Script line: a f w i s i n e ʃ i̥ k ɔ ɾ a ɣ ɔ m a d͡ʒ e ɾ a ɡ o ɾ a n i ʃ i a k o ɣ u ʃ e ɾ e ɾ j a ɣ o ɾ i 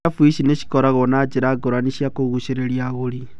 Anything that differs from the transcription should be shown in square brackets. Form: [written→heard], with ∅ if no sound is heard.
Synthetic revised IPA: a f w i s i n e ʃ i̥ k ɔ ɾ a ɣ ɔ [m→n] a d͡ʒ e ɾ a ɡ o ɾ a n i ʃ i a k o ɣ u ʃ e ɾ e ɾ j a ɣ o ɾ i